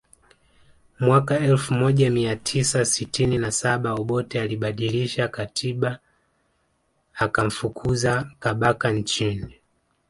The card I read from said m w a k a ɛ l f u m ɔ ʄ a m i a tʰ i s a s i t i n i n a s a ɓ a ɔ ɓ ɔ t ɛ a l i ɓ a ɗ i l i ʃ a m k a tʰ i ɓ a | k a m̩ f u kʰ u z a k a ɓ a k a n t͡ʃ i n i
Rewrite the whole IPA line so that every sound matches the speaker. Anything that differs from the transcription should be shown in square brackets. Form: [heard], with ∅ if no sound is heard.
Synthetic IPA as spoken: m w a k a ɛ l f u m ɔ ʄ a m i a tʰ i s a s i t i n i n a s a ɓ a ɔ ɓ ɔ t ɛ a l i ɓ a ɗ i l i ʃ a [∅] k a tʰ i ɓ a | k a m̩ f u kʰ u z a k a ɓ a k a n t͡ʃ i n i